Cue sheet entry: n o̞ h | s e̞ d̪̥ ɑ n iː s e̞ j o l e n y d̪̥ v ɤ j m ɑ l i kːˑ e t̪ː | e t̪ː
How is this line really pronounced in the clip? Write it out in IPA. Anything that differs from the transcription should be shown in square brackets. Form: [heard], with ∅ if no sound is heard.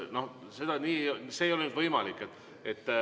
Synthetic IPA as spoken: n o̞ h | s e̞ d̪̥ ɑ n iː s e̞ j o l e n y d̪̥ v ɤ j m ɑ l i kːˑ e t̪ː | e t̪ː